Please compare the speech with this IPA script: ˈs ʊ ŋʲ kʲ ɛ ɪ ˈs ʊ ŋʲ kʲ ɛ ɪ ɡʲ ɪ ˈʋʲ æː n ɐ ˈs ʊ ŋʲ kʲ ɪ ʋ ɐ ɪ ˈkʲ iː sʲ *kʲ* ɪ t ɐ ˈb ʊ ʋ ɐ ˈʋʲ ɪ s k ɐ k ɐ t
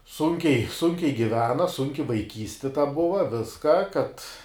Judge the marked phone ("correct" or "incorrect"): incorrect